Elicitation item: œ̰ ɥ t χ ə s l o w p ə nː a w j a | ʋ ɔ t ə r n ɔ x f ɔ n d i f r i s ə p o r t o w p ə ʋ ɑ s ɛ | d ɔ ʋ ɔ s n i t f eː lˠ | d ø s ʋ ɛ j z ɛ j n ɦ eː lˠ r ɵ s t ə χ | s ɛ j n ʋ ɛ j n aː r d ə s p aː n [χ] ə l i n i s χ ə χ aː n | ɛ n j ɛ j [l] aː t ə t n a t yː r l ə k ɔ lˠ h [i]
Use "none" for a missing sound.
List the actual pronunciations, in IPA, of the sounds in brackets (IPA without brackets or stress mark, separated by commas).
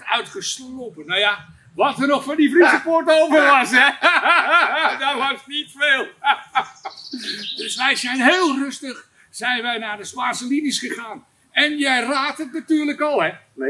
s, r, ɛ